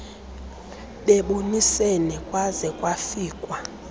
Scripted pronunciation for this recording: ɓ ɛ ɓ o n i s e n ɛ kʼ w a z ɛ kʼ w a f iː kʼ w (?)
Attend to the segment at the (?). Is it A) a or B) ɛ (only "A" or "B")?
A